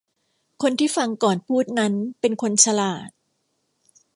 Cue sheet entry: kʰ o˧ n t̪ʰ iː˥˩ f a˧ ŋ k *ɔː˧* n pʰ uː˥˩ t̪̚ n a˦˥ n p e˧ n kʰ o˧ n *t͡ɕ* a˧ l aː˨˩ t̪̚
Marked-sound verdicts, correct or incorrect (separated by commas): incorrect, incorrect